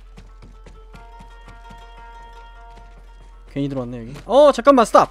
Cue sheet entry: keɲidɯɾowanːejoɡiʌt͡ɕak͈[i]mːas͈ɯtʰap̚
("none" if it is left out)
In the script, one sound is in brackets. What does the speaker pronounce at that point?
a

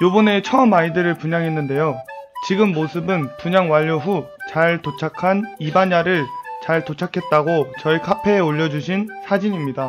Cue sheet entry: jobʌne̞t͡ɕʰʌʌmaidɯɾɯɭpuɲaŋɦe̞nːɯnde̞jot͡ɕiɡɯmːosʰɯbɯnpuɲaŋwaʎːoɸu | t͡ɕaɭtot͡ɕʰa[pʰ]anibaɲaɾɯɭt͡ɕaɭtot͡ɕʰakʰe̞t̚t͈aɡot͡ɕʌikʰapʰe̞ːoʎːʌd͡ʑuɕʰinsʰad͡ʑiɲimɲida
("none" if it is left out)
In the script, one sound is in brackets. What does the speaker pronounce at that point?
kʰ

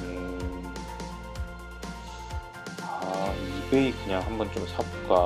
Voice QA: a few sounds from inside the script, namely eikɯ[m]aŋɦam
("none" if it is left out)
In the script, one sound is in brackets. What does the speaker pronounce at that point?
ɲ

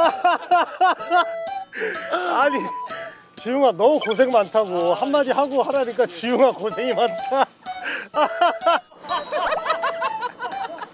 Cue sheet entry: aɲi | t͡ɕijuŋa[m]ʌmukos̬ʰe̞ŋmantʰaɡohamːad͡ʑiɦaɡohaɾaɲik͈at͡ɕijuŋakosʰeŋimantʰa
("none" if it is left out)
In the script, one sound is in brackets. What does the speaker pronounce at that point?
n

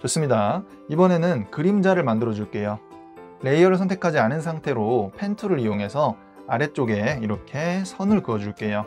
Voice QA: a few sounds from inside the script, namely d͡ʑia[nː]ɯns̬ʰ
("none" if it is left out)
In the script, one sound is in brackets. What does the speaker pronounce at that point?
n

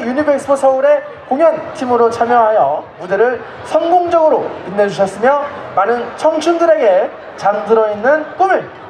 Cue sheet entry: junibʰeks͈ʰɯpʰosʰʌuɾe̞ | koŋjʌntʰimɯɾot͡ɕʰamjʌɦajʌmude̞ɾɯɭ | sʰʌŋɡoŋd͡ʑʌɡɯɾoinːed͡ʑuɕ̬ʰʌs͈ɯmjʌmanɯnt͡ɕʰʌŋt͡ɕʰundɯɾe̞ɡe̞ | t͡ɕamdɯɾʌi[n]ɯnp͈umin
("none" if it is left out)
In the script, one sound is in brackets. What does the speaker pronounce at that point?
nː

